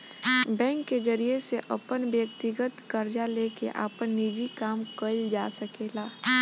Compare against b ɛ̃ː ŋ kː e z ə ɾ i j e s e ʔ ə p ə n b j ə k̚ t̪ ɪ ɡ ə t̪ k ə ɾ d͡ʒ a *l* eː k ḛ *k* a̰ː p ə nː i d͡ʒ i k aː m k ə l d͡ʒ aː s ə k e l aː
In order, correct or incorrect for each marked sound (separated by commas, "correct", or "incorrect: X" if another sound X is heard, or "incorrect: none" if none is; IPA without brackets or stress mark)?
correct, incorrect: ʔ